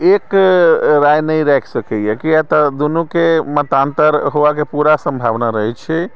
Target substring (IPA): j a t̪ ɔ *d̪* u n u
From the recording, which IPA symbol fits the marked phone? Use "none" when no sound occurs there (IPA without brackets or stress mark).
d̪